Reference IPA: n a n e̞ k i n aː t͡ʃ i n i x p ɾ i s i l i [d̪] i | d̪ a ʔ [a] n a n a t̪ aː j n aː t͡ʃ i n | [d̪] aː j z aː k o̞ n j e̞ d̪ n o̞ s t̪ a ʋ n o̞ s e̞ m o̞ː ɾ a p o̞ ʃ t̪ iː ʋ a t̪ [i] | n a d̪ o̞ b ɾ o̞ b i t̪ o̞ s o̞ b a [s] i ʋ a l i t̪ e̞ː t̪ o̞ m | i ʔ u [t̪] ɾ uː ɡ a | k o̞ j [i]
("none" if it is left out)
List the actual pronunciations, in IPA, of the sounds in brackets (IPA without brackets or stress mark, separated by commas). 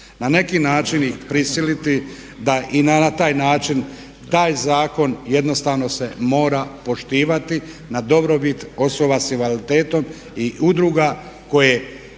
t̪, i, t̪, i, s, d̪, e